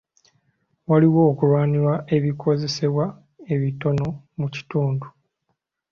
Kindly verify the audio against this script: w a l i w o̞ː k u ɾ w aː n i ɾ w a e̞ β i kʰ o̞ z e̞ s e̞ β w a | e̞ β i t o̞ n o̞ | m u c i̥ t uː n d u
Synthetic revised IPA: w a l i w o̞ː k u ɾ w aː n i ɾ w a e̞ β i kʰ o̞ z e̞ s e̞ β w a | e̞ β i t o̞ n o̞ | m u c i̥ t uː n d u